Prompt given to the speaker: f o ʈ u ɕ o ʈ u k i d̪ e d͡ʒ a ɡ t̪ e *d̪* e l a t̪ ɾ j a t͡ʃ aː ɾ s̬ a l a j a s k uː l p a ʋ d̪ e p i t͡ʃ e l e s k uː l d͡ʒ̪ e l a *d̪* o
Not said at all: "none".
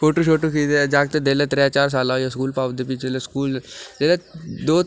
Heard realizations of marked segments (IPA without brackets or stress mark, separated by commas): d̪, d̪